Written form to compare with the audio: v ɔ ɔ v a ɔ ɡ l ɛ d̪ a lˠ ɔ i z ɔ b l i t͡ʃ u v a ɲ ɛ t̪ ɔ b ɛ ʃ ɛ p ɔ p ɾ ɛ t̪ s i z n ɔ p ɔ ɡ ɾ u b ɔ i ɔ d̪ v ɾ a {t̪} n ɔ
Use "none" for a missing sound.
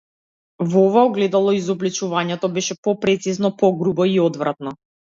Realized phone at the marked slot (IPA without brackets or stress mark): t̪